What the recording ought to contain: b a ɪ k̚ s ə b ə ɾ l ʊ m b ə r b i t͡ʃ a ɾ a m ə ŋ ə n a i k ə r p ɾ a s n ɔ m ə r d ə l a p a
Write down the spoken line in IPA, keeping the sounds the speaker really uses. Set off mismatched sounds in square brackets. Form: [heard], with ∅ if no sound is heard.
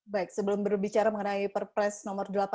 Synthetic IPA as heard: b a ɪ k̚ s ə b ə [∅] l ʊ m b ə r b i t͡ʃ a ɾ a m ə ŋ ə n a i [p] ə r p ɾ [ɛ] s n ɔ m ə r d ə l a p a